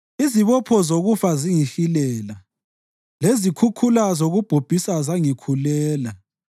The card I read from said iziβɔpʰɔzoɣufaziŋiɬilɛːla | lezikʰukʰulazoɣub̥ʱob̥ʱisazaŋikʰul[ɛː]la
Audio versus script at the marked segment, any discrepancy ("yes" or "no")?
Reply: no